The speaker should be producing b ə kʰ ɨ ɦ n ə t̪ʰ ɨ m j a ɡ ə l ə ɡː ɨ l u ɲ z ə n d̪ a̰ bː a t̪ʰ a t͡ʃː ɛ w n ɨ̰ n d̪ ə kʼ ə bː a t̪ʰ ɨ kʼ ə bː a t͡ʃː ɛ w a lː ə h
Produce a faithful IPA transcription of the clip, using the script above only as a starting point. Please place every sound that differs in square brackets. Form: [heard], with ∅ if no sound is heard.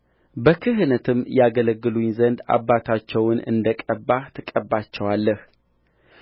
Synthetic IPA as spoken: b ə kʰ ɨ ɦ n ə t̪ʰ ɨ m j a ɡ ə l ə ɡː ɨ l u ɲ z ə n d̪ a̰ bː a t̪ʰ a t͡ʃː ɛ w n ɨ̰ n d̪ ə kʼ ə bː a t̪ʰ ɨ kʼ ə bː a t͡ʃː ɛ w a lː ə h